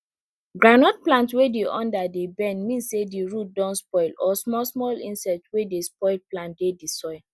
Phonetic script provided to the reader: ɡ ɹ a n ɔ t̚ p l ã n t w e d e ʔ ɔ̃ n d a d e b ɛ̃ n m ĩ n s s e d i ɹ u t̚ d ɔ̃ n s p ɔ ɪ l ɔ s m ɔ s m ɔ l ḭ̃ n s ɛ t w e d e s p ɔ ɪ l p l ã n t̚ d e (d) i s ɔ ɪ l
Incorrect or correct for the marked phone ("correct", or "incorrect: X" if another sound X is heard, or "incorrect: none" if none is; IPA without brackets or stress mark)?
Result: correct